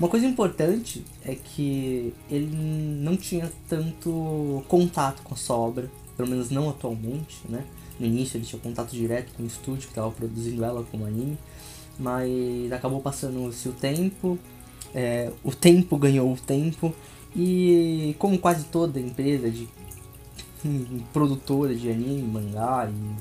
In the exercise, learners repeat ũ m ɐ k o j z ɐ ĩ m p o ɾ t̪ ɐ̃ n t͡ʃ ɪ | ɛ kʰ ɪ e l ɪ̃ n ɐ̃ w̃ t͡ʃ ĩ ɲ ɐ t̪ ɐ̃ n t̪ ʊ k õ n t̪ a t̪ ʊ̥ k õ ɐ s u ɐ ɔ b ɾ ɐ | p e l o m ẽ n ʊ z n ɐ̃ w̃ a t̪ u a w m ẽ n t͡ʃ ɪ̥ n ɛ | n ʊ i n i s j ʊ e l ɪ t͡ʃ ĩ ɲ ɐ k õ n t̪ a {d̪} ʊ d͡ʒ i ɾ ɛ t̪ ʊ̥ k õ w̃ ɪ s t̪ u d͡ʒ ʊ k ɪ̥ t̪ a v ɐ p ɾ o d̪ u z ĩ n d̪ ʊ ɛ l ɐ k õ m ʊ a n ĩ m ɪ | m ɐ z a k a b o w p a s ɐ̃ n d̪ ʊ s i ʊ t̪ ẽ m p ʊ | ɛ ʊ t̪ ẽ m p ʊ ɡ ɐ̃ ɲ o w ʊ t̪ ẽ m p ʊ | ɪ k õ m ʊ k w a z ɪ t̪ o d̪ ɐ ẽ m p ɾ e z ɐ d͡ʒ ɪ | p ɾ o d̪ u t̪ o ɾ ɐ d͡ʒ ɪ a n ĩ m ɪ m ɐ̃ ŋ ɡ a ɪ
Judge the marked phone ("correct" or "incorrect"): incorrect